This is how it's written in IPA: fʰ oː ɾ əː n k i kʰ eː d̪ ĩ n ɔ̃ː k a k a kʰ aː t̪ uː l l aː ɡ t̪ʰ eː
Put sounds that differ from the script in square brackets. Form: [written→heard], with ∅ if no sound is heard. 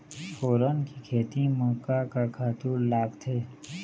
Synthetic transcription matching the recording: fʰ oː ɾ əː n k i kʰ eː [d̪→t̪] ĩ [n→m] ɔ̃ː k a k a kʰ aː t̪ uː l l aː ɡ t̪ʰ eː